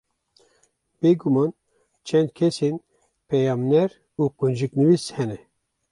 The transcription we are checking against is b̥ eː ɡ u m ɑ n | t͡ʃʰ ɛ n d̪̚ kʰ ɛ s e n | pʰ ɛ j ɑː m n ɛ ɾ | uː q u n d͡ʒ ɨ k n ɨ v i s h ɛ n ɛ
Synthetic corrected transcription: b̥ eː ɡ u m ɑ n | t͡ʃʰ ɛ n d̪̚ kʰ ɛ s e n | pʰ ɛ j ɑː m n ɛ ɾ | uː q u n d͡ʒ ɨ k n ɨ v i s h ɛ n ɛ